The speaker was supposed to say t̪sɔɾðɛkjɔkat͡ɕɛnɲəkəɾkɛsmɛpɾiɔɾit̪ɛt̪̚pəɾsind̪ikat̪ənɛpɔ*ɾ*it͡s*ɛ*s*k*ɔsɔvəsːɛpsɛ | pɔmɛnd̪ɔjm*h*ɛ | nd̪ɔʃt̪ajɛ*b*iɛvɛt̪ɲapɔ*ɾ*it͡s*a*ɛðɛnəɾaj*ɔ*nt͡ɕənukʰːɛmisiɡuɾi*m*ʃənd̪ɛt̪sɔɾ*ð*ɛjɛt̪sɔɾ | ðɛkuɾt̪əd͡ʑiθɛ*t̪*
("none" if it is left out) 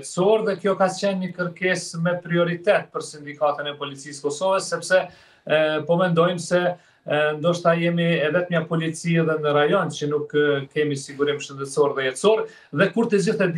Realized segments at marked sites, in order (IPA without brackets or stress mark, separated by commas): l, i, k, s, m, l, i, ɔ, m, ð, d̪